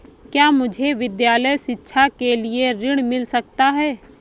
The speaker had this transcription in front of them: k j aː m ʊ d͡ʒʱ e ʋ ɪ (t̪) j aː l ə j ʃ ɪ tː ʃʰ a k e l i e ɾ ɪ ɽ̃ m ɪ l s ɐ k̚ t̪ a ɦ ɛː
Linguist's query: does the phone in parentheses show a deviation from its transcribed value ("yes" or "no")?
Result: yes